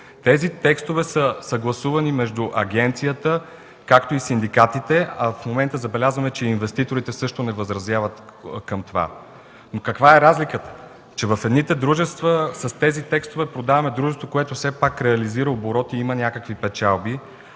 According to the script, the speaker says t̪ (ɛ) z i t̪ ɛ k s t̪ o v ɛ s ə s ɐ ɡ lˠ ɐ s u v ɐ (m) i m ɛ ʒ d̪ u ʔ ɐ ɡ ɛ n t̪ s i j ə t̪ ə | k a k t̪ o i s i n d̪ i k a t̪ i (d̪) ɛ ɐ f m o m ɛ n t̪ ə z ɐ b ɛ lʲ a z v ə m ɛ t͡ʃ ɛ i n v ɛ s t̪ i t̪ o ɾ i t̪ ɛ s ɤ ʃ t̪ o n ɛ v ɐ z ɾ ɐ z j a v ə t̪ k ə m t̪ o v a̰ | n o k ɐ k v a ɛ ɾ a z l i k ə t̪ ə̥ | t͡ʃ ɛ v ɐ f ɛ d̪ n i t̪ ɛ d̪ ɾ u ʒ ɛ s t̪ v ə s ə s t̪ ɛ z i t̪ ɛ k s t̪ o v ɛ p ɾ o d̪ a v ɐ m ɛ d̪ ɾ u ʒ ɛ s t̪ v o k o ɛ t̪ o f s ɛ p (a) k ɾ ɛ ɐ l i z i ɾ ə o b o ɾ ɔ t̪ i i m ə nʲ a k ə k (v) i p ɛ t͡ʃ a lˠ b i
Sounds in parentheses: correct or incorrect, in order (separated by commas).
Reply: correct, incorrect, incorrect, correct, correct